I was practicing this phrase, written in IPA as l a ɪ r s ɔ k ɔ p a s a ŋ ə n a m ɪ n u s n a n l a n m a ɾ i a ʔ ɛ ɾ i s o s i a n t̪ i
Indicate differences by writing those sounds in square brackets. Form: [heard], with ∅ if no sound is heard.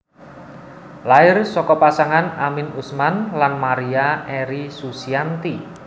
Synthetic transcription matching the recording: l a ɪ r s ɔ k ɔ p a s a ŋ [a] n a m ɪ n u s [m] a n l a n m a ɾ i a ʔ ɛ ɾ i s [u] s i a n t̪ i